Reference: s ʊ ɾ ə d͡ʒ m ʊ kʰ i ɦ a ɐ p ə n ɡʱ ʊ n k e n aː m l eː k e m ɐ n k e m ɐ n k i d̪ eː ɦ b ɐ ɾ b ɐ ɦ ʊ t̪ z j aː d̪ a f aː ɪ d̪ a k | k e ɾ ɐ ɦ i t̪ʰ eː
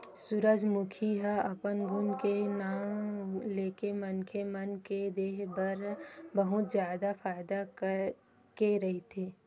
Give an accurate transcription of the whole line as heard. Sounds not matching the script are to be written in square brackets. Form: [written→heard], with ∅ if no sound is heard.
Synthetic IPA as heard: s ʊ ɾ ə d͡ʒ m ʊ kʰ i ɦ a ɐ p ə n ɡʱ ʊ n k e n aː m l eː k e m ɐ n k e m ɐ n k [i→e] d̪ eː ɦ b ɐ ɾ b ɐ ɦ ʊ t̪ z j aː d̪ a f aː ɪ d̪ a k | k e ɾ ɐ ɦ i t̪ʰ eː